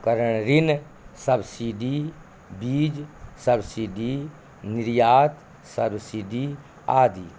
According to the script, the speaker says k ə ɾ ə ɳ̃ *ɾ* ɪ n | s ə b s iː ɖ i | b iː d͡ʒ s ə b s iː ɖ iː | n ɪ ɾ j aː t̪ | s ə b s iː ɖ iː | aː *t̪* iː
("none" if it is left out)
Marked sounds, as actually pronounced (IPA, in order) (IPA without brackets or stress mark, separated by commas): ɾ, d̪